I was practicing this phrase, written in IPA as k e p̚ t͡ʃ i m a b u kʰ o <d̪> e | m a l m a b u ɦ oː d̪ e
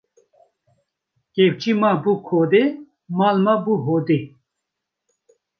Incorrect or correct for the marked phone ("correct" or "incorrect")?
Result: correct